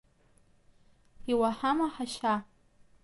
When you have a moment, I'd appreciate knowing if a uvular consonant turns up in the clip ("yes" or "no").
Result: no